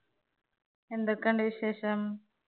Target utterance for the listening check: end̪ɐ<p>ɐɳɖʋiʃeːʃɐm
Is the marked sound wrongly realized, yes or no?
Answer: yes